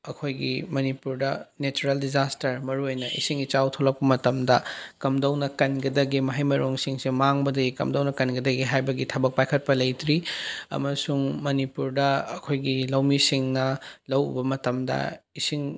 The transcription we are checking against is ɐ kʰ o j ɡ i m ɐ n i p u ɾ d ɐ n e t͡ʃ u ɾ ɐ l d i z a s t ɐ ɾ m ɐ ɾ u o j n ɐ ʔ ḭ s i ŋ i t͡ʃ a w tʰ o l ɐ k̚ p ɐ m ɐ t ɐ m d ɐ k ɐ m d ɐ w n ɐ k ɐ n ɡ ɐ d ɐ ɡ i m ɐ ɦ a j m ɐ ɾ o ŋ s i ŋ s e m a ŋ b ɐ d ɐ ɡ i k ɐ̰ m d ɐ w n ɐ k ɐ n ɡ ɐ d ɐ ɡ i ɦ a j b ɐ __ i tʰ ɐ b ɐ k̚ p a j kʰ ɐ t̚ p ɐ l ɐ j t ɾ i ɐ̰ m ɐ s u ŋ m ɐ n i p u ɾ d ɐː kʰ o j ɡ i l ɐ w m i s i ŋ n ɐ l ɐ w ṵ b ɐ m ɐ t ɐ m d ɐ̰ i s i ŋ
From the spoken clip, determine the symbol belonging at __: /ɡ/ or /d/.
ɡ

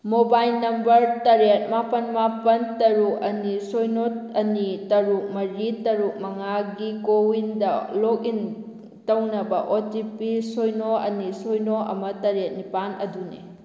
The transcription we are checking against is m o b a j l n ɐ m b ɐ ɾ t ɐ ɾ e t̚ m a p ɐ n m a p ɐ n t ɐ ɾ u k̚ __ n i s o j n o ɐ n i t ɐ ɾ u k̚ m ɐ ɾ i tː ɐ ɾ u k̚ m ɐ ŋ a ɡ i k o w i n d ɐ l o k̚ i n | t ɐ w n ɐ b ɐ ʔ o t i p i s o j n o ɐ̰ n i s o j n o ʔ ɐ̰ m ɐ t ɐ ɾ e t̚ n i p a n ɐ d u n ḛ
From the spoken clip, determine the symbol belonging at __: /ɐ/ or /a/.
ɐ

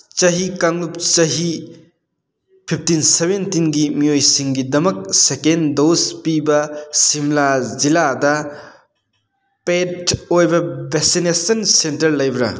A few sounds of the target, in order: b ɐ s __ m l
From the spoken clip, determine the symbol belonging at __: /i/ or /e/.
i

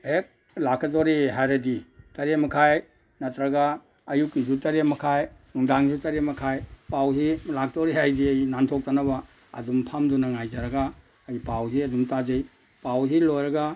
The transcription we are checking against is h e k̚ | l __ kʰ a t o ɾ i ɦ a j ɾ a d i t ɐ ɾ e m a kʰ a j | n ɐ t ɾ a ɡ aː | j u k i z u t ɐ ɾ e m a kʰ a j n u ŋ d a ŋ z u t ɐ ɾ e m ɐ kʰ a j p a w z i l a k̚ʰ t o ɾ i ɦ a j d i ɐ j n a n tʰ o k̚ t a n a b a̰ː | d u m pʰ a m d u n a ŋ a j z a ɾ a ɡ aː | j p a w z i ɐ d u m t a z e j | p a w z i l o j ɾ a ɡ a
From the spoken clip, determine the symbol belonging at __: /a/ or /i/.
a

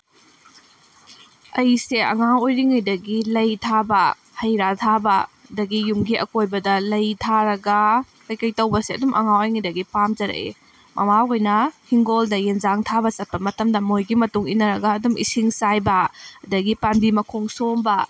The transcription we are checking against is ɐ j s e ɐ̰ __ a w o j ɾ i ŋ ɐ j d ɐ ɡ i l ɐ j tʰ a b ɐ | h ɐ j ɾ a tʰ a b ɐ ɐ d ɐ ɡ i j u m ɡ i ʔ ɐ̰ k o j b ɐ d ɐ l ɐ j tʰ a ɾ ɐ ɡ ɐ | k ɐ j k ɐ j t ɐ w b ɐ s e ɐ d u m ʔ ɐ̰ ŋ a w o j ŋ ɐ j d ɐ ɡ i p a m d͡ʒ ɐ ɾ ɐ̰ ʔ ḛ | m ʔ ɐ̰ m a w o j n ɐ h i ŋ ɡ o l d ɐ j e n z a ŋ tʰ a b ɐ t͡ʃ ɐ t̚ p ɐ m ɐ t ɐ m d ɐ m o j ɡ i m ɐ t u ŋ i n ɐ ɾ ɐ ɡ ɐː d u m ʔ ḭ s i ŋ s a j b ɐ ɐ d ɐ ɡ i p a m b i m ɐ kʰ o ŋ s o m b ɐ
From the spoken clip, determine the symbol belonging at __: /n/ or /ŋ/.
ŋ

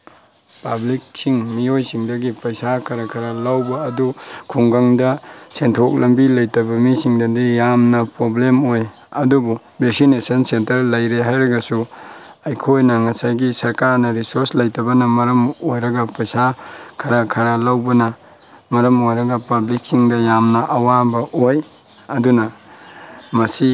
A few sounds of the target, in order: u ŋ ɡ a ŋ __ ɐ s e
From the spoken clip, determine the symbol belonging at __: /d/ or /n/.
d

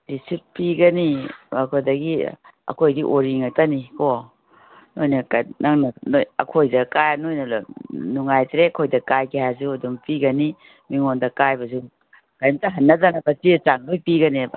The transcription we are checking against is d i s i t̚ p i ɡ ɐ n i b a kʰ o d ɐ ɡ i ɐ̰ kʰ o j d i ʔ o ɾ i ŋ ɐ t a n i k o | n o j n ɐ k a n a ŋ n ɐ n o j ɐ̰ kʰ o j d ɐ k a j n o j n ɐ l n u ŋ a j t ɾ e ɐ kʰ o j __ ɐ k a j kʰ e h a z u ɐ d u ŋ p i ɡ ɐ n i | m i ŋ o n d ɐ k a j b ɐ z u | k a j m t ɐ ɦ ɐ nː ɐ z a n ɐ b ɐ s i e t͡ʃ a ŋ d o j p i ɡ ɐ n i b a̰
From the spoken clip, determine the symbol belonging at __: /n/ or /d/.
d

